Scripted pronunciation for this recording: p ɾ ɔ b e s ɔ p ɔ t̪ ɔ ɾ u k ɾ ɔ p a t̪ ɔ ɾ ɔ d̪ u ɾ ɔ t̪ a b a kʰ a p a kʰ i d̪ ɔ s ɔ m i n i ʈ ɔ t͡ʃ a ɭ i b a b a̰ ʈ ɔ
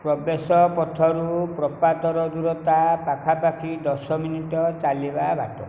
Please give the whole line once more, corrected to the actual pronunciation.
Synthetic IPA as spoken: p ɾ ɔ b e s ɔ p ɔ t̪ʰ ɔ ɾ u p ɾ ɔ p a t̪ ɔ ɾ ɔ d̪ u ɾ ɔ t̪ a p a kʰ a p a kʰ i d̪ ɔ s ɔ m i n i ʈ ɔ t͡ʃ a l i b a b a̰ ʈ ɔ